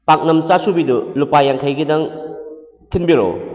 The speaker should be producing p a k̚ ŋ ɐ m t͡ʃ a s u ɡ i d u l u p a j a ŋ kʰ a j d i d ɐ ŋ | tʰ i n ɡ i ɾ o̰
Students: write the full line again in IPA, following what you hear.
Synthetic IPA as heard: p a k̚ n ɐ m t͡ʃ a s u b i d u l u p a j a ŋ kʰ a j ɡ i d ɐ ŋ | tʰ i n b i ɾ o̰